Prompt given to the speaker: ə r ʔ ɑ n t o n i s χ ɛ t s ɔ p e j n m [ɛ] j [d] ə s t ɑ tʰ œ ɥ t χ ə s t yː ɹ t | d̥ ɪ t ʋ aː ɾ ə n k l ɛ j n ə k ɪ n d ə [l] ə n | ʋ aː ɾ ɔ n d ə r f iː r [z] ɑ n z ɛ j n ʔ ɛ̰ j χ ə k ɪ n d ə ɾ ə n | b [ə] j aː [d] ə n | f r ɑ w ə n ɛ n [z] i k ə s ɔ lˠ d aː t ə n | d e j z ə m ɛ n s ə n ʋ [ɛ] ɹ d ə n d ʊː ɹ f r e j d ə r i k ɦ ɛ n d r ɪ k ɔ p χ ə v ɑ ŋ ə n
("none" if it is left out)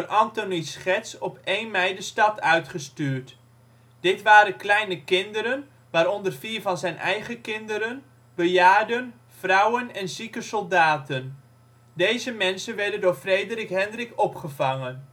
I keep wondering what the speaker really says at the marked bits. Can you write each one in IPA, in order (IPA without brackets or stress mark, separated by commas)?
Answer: ɛ, d, ɾ, v, ə, d, z, ɛ